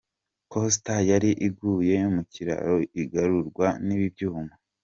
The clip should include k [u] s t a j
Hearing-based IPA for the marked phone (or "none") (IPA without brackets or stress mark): o